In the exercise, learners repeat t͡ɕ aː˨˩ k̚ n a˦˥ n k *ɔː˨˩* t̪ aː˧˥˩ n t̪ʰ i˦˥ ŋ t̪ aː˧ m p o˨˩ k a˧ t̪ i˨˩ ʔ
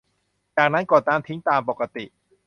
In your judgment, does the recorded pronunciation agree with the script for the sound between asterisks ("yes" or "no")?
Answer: yes